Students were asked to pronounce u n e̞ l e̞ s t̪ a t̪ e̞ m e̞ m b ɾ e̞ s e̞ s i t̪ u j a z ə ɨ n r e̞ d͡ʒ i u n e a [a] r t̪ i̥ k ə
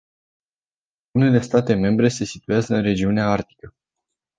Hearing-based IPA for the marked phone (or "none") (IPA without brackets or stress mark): a